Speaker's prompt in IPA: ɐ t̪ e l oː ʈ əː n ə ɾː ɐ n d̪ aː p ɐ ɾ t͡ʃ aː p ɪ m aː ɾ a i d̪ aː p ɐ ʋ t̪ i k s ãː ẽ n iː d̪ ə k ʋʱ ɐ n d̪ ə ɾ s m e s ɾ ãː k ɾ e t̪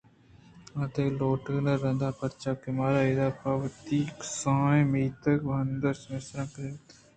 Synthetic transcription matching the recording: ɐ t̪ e l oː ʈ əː n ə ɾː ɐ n d̪ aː p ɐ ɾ t͡ʃ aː k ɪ m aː ɾ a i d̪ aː p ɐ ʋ t̪ i k s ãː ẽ m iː t̪ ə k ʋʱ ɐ n d̪ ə ɾ s m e s ɾ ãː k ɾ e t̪

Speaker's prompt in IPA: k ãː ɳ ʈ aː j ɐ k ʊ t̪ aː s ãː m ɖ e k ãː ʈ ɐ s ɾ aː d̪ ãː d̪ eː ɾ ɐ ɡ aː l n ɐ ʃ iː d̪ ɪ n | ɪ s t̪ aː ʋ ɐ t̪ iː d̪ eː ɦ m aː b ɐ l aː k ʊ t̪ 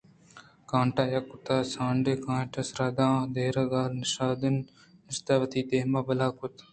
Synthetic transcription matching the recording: k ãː ɳ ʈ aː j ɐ k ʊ t̪ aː s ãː ɳ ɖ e k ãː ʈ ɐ s ɾ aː d̪ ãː d̪ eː ɾ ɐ ɡ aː l n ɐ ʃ aː d̪ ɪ n | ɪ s t̪ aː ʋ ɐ t̪ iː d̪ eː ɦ m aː b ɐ l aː k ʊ t̪

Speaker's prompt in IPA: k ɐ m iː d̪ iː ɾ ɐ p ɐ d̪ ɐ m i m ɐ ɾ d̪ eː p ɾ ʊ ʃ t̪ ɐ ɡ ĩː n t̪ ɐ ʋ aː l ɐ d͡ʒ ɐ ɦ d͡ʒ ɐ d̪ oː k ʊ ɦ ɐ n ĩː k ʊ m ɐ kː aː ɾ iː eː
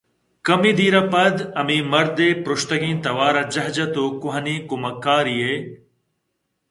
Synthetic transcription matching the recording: k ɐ m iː d̪ iː ɾ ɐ p ɐ d̪ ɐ m i m ɐ ɾ d̪ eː p ɾ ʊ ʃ t̪ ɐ ɡ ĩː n t̪ ɐ ʋ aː ɾ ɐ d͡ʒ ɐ ɦ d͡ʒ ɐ t̪ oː k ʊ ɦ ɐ n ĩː k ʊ m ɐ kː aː ɾ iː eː

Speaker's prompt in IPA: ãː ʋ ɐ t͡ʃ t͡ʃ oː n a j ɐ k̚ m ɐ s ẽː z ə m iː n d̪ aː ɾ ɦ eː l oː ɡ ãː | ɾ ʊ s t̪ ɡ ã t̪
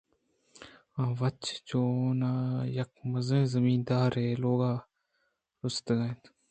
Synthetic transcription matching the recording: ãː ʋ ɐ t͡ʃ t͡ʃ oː n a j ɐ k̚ m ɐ z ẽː z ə m iː n d̪ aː ɾ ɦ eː l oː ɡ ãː | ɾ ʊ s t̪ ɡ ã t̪

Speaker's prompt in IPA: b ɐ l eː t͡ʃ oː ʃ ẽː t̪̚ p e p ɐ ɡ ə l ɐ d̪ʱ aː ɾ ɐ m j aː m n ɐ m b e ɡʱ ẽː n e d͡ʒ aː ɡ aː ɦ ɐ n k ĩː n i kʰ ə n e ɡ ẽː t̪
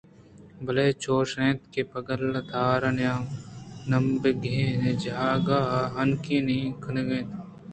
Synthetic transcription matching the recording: b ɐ l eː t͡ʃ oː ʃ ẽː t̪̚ k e p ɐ ɡ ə l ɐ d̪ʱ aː ɾ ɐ n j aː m n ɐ m b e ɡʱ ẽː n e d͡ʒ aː ɡ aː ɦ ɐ n k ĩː n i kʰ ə n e ɡ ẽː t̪

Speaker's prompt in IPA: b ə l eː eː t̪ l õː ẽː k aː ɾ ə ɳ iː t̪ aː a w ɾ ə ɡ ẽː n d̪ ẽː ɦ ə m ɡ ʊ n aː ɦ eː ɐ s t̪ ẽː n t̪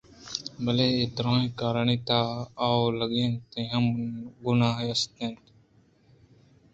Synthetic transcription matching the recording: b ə l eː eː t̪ ɾ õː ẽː k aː ɾ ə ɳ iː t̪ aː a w l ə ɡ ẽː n t̪ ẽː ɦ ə m ɡ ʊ n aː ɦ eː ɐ s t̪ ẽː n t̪

